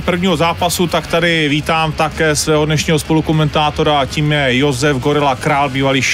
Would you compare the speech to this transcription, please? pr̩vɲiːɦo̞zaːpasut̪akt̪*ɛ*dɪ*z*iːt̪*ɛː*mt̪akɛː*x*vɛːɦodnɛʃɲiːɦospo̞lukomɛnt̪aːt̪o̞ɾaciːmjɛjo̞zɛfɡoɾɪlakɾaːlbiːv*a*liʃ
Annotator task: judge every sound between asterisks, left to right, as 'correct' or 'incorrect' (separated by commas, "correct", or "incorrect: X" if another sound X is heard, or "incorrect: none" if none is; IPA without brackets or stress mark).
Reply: incorrect: a, incorrect: v, incorrect: aː, incorrect: s, correct